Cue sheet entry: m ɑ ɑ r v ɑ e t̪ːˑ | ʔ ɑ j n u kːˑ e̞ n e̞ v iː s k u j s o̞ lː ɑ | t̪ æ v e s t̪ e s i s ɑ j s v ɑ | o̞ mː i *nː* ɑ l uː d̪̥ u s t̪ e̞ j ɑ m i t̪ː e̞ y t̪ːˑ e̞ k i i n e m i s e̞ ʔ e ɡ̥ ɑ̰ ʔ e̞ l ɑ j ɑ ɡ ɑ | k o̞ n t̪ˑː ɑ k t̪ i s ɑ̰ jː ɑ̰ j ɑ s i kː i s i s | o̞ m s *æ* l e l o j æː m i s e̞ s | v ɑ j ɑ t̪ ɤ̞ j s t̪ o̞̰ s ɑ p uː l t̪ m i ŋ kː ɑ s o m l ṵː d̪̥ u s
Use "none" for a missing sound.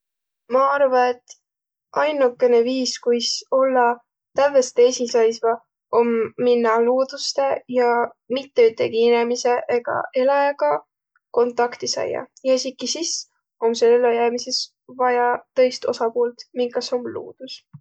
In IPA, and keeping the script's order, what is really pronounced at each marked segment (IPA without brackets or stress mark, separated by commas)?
nː, e